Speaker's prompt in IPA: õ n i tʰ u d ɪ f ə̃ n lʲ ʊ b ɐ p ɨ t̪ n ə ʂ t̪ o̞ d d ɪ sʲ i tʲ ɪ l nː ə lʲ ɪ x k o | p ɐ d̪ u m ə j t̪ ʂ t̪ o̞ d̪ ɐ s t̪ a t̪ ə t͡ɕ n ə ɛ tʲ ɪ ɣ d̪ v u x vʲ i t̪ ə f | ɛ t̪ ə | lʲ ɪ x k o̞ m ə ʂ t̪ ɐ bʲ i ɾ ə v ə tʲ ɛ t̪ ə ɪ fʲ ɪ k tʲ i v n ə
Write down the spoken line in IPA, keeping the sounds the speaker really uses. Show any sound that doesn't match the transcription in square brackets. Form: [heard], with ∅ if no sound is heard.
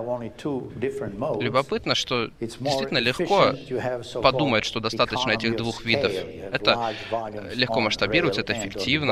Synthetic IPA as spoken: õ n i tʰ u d ɪ f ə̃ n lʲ ʊ b ɐ p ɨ t̪ n ə ʂ t̪ o̞ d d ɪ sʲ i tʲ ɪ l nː ə lʲ ɪ x k o | p ɐ d̪ u m ə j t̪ ʂ t̪ o̞ d̪ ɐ s t̪ a t̪ ə t͡ɕ n ə ɛ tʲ ɪ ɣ d̪ v u x vʲ i [d̪] ə f | ɛ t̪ ə | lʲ ɪ x k o̞ m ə ʂ t̪ ɐ bʲ i ɾ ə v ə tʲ ɛ t̪ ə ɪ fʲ ɪ k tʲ i v n ə